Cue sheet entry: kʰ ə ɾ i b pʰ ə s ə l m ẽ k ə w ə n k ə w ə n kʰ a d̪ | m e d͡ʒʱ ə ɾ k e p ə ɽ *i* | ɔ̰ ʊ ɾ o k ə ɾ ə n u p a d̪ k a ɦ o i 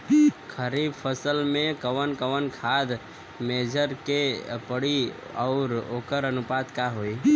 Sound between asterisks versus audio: correct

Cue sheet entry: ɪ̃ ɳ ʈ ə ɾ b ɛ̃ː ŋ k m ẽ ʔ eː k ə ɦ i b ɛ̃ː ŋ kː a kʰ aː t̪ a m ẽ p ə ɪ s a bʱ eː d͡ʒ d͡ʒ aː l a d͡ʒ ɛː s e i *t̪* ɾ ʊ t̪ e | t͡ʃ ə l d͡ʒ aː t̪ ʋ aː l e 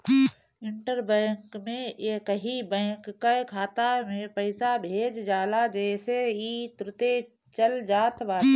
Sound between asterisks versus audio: correct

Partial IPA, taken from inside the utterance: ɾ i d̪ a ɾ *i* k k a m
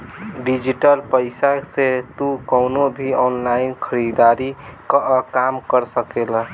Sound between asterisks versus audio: correct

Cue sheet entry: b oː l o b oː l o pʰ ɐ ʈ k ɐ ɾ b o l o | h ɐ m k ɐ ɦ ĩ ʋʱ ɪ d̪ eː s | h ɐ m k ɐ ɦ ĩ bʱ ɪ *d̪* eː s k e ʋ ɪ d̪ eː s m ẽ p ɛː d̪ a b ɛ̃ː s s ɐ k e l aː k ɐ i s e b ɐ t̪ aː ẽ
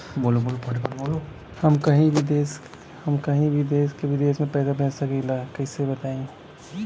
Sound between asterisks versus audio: correct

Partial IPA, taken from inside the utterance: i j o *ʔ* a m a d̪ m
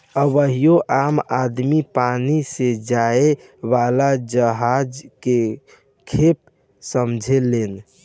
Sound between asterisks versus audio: correct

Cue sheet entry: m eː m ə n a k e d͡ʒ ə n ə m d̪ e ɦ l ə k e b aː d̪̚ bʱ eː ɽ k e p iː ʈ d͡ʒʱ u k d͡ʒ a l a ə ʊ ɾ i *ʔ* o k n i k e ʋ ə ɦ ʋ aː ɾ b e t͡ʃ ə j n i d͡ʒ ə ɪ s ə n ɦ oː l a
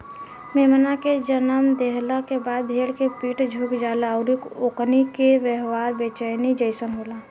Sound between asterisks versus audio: incorrect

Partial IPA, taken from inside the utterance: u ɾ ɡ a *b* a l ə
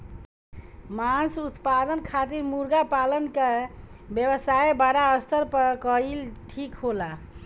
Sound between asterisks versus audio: incorrect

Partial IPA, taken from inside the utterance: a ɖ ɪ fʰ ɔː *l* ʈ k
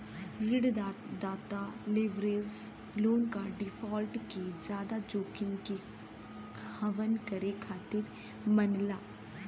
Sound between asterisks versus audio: correct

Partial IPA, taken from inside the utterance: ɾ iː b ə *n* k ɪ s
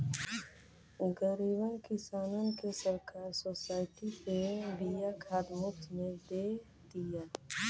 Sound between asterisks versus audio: correct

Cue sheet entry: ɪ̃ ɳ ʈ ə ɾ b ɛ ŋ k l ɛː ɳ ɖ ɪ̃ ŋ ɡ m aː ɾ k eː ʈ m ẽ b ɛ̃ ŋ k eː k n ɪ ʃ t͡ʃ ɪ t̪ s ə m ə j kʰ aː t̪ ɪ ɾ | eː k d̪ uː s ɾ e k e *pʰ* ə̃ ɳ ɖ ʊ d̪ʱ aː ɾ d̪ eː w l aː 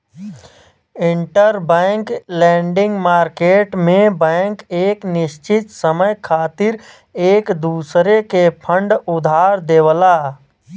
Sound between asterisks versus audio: correct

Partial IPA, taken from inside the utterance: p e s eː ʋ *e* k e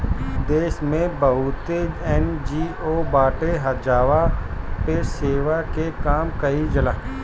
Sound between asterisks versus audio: incorrect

